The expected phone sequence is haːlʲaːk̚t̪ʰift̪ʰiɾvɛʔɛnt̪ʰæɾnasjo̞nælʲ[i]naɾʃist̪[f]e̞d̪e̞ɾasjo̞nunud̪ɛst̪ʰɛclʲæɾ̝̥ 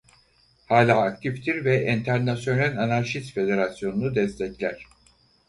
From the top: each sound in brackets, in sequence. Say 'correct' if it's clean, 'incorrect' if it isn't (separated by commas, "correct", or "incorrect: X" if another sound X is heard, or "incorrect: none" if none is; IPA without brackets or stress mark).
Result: incorrect: a, correct